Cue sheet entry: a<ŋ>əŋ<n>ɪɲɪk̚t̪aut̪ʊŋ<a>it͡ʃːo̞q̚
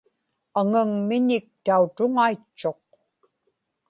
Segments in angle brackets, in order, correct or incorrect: correct, incorrect, correct

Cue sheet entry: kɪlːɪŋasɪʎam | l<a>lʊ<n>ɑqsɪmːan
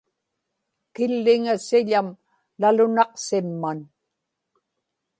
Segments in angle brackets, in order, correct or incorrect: correct, correct

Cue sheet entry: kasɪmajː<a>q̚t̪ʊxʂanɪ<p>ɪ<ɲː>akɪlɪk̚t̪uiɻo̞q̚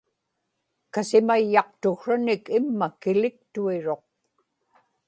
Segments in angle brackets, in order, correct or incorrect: incorrect, incorrect, incorrect

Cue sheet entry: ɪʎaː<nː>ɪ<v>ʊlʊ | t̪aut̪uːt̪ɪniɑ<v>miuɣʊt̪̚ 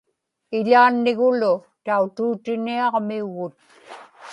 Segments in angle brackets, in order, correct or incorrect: correct, incorrect, incorrect

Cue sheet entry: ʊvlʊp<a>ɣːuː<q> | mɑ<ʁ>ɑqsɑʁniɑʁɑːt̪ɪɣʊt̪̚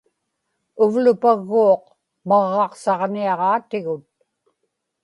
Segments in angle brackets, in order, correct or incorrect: correct, correct, incorrect

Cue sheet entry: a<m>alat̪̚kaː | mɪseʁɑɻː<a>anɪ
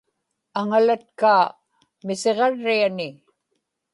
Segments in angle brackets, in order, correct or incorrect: incorrect, incorrect

